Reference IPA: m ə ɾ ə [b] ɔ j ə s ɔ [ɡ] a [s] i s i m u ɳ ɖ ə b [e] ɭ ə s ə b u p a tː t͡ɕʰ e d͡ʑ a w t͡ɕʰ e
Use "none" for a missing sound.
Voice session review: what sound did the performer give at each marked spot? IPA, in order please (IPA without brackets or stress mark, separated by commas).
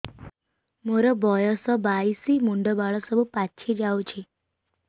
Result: b, b, none, a